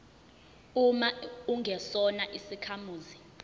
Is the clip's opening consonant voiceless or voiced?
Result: voiced